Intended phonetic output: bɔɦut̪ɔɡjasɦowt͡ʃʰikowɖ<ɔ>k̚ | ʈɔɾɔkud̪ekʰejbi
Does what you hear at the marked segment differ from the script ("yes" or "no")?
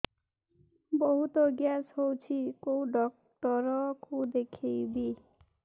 no